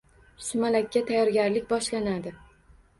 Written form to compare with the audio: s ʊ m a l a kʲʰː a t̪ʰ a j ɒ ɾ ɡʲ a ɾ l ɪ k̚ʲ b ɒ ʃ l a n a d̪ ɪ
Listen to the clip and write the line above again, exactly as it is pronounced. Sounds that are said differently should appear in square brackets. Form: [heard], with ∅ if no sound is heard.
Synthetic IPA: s ʊ m a l a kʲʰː a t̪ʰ a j ɒ ɾ ɡʲ a ɾ l ɪ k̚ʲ b ɒ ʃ l a n a d̪ ɪ